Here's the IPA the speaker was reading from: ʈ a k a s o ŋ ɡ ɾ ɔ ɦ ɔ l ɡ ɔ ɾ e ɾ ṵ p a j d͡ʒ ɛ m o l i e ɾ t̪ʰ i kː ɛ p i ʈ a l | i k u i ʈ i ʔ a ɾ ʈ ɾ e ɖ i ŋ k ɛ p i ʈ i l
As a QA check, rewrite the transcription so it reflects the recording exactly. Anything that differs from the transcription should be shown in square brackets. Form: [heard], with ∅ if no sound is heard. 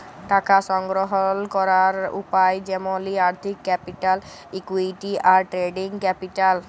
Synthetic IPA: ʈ a k a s [ɔ] ŋ ɡ ɾ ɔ ɦ ɔ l [k] ɔ ɾ [a] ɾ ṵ p a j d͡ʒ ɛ m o l i [a] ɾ t̪ʰ i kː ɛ p i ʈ a l | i k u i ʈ i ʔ a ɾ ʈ ɾ e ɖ i ŋ k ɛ p i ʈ [a] l